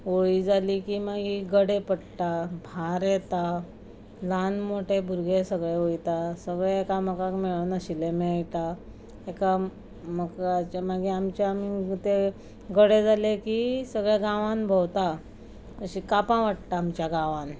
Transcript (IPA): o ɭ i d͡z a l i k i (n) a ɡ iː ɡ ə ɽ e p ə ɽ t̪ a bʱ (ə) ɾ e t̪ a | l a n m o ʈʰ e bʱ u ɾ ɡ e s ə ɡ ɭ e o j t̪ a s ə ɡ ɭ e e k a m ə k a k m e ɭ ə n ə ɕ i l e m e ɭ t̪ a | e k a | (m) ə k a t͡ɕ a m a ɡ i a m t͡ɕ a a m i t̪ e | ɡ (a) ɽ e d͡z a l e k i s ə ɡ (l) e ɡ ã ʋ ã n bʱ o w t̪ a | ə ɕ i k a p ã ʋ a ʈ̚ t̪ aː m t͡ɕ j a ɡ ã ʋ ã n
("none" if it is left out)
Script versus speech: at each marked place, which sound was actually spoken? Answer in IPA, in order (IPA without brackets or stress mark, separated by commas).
m, a, m, ə, ɭ